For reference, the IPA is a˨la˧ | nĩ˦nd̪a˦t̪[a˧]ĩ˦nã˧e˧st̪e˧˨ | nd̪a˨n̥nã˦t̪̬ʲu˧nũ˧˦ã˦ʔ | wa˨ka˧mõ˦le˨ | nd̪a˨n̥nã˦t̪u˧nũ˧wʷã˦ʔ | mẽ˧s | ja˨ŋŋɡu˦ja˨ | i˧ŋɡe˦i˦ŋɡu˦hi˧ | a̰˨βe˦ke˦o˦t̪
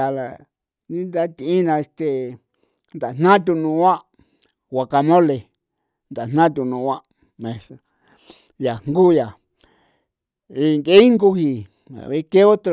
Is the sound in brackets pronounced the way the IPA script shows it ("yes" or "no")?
no